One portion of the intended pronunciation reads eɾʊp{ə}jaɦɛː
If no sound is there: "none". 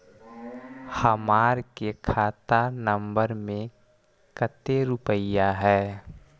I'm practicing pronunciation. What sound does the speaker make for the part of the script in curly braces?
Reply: ə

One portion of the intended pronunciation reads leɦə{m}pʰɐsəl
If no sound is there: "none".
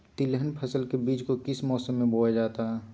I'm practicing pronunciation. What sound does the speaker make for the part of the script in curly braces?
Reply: n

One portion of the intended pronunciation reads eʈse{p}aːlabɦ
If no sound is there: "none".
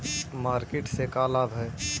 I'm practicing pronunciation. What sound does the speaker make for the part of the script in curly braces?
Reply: k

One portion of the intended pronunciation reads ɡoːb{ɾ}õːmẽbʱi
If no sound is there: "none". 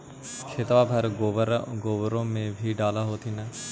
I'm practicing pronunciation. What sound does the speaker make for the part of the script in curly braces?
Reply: ɾ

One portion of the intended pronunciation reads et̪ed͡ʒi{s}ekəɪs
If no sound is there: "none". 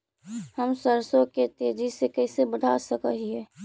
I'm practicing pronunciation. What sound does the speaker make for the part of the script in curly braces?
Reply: s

